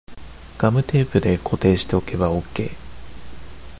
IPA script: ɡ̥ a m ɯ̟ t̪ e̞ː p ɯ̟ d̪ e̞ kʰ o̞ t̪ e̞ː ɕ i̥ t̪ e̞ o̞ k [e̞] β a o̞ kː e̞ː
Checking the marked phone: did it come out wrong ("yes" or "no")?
no